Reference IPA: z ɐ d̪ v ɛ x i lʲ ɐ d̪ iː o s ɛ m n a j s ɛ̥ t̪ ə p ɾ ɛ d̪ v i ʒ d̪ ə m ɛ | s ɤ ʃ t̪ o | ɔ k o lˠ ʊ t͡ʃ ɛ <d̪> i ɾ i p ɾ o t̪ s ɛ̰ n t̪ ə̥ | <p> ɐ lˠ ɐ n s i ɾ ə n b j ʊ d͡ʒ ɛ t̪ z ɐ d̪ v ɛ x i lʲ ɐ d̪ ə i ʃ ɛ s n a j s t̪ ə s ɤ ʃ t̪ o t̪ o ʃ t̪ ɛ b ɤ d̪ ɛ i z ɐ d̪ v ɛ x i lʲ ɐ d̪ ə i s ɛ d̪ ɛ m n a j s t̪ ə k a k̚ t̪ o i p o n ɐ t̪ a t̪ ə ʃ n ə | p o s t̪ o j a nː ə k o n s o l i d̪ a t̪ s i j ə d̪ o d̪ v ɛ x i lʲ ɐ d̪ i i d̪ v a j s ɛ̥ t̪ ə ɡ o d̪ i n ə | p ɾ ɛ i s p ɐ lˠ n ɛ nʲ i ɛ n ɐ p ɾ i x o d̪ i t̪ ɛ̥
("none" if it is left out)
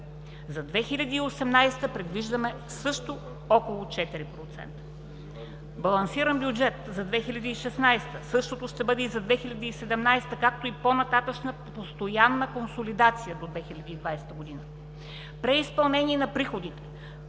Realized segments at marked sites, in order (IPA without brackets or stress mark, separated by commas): t̪, b